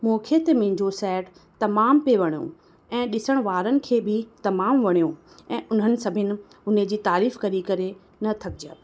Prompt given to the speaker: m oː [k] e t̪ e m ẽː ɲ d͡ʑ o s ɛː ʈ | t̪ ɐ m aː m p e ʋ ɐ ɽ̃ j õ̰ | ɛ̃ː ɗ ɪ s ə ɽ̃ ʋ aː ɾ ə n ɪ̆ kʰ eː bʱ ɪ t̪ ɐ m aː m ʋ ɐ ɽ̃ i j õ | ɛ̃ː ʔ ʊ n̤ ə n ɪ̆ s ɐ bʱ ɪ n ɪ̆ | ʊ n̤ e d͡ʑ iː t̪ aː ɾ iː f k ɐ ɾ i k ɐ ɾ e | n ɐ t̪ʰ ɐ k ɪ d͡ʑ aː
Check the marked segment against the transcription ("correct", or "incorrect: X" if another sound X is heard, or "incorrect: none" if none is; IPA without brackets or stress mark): incorrect: kʰ